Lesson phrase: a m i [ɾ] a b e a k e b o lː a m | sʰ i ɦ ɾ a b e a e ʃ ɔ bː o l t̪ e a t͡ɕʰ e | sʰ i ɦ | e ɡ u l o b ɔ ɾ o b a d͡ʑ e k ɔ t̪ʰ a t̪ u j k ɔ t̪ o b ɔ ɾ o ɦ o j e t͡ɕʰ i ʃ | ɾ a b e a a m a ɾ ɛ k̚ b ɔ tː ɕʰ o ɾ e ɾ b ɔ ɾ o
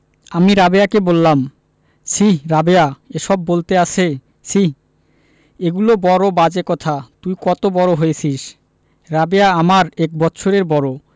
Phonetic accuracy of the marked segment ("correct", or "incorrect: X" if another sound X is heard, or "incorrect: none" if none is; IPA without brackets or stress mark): correct